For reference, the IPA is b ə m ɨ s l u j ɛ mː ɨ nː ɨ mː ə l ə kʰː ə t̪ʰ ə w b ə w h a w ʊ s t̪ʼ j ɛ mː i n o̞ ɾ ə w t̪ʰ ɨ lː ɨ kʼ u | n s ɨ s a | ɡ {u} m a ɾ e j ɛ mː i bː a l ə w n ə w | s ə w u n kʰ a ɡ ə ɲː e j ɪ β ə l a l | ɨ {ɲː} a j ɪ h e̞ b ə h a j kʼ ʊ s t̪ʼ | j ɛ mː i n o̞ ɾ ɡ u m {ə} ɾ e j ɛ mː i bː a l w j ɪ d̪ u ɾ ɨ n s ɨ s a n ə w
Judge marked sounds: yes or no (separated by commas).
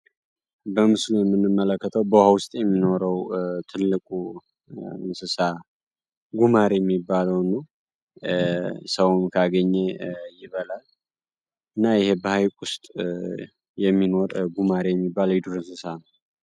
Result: yes, no, no